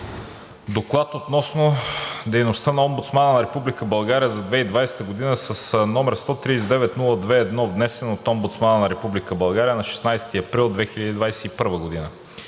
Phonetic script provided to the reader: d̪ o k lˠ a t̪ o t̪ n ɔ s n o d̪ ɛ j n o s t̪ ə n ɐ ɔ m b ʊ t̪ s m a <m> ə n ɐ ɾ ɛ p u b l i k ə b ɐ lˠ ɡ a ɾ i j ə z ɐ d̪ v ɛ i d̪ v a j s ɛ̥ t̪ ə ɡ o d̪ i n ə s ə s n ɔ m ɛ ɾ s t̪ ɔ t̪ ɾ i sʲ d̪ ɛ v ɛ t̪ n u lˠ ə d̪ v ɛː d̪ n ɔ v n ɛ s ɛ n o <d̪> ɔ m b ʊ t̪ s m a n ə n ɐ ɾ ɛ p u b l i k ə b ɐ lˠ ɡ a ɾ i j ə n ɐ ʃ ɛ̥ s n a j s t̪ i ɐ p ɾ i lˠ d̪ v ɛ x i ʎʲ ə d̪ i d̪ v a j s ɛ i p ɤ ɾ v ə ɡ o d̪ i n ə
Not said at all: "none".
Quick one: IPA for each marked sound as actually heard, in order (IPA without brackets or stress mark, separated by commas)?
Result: n, t̪